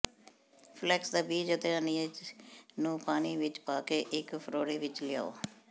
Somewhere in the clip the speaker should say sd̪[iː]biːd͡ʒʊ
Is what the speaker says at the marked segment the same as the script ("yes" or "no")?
no